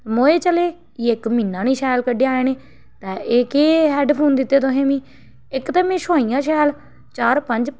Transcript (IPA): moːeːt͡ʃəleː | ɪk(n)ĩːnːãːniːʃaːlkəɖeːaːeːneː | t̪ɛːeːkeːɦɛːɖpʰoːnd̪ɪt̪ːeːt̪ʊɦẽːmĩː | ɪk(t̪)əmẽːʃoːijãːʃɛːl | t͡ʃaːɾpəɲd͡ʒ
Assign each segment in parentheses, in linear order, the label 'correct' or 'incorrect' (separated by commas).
incorrect, correct